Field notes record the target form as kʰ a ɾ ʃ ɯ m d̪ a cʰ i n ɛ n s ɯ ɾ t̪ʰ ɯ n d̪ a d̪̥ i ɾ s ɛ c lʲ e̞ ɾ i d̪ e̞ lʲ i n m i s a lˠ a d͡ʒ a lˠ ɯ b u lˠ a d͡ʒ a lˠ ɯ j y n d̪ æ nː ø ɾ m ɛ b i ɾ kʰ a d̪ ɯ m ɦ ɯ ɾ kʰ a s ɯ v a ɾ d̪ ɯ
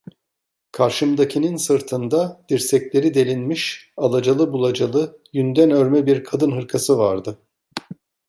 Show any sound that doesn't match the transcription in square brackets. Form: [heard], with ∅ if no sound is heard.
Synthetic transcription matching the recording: kʰ a ɾ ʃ ɯ m d̪ a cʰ i n [i] n s ɯ ɾ t̪ʰ ɯ n d̪ a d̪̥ i ɾ s ɛ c lʲ e̞ ɾ i d̪ e̞ lʲ i n m i [ʃ] a lˠ a d͡ʒ a lˠ ɯ b u lˠ a d͡ʒ a lˠ ɯ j y n d̪ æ [n] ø ɾ m ɛ b i ɾ kʰ a d̪ ɯ [n] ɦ ɯ ɾ kʰ a s ɯ v a ɾ d̪ ɯ